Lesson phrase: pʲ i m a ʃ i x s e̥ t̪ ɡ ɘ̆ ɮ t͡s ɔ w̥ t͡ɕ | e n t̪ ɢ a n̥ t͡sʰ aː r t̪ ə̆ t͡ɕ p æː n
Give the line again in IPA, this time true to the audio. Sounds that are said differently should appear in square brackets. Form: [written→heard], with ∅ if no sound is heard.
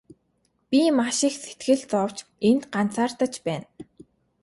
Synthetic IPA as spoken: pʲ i m a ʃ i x s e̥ t̪ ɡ ɘ̆ ɮ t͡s ɔ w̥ t͡ɕ | e n t̪ ɢ a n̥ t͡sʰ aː r t̪ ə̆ t͡ɕ p æː n